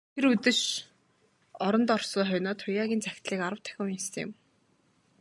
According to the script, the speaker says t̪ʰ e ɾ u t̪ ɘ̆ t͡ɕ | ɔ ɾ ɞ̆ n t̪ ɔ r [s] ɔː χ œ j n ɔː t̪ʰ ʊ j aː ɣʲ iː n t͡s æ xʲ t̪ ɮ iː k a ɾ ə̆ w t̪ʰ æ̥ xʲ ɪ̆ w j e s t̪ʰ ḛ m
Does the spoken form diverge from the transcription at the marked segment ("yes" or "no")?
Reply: no